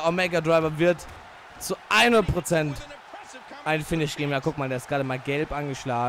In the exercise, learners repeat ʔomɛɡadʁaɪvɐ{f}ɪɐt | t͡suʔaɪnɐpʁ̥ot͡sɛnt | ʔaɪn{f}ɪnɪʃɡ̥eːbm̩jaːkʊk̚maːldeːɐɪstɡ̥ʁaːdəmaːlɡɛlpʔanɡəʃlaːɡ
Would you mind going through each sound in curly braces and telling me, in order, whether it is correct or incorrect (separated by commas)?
incorrect, correct